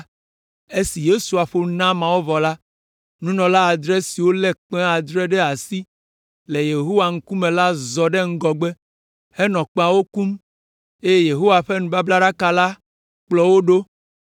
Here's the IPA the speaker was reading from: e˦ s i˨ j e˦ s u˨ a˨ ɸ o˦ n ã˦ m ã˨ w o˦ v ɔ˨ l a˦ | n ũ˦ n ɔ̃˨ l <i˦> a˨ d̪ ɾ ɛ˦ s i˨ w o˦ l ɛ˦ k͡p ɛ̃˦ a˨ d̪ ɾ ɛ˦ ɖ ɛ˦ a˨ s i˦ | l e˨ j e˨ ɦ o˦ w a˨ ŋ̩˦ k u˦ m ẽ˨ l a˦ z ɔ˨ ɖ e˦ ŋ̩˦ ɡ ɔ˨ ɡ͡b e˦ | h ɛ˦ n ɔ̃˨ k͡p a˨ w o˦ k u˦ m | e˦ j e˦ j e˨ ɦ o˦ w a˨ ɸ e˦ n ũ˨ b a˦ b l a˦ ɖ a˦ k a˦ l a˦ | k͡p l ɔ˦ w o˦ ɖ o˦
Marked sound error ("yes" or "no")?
yes